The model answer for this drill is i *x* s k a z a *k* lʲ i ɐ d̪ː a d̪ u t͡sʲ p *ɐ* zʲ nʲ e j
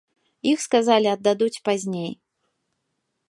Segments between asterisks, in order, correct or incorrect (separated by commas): correct, incorrect, incorrect